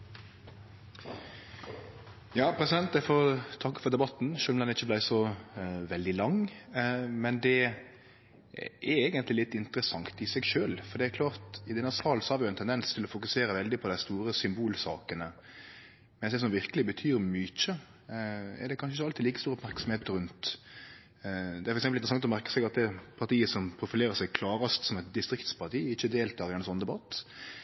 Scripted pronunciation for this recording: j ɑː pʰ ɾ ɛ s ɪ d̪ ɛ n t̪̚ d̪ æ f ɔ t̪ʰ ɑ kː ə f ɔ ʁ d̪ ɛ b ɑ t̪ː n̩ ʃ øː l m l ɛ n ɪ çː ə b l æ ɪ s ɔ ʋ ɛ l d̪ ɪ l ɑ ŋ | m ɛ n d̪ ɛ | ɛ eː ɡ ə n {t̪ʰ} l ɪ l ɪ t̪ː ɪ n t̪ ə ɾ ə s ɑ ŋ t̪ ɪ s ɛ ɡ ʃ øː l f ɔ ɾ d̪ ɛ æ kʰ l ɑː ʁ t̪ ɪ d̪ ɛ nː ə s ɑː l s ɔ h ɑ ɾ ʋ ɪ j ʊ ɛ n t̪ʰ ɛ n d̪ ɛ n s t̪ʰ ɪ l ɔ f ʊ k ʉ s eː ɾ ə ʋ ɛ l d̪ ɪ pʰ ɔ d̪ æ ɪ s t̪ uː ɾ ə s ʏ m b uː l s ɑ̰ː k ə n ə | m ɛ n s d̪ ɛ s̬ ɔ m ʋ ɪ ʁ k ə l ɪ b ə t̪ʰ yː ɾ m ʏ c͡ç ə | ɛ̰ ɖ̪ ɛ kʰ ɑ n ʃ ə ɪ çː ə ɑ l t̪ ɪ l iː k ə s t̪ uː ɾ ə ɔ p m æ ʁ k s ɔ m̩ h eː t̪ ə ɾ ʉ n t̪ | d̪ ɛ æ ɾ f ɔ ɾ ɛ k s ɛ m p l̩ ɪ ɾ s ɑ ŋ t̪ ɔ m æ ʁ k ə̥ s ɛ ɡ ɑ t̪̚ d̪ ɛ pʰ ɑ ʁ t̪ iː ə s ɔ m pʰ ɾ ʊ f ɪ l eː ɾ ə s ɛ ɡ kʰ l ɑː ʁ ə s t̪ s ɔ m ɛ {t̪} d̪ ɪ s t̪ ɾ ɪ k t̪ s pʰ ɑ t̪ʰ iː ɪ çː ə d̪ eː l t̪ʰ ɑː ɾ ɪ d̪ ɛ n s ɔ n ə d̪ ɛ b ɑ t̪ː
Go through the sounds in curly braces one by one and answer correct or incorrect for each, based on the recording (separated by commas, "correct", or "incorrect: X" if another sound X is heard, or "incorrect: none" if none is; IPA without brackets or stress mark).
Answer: incorrect: t̪, correct